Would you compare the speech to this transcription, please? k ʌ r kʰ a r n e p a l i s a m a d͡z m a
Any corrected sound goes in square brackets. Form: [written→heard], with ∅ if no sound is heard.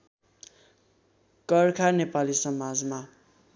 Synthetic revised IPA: k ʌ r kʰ a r n e p a l i s [a→ʌ] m a d͡z m a